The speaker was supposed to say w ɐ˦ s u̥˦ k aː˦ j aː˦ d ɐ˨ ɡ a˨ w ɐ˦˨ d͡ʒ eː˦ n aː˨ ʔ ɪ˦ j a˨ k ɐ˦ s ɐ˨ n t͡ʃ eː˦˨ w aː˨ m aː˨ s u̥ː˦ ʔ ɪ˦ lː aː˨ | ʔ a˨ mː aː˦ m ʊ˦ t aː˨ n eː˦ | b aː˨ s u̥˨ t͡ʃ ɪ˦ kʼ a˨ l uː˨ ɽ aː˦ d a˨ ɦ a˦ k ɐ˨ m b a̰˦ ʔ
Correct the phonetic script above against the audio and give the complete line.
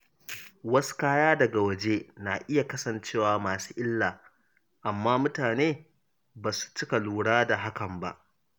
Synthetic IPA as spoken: w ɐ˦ s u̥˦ k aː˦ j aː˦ d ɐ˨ ɡ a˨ w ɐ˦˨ d͡ʒ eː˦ n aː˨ ʔ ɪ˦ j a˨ k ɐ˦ s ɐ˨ n t͡ʃ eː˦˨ w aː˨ m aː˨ s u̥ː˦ ʔ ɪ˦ lː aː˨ | ʔ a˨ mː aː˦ m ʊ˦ t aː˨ n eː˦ | b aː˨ s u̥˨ t͡ʃ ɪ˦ k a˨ l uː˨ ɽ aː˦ d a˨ ɦ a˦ k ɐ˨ m b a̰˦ ʔ